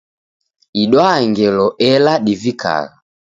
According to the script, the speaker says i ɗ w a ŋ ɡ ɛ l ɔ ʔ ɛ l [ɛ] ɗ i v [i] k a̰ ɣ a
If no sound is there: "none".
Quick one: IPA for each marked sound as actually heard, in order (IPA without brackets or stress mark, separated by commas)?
a, i